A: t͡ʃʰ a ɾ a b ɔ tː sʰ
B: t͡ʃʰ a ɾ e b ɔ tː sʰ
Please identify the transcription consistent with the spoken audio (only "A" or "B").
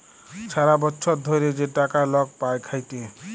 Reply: A